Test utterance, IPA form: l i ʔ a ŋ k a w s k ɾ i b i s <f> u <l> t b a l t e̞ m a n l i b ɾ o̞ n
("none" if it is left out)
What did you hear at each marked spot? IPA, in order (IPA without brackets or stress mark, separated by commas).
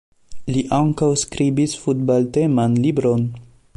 f, none